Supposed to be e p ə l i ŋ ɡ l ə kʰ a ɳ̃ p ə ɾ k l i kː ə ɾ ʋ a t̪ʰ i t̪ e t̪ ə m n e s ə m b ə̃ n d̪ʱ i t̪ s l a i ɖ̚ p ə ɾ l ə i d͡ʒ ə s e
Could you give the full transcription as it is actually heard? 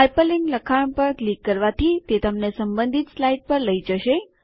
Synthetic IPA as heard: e p ə l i ŋ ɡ l ə kʰ a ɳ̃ p ə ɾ k l i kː ə ɾ ʋ a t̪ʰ i t̪ e t̪ ə m n e s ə m b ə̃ n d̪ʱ i t̪ s l a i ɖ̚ p ə ɾ l ə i d͡ʒ ə ʃ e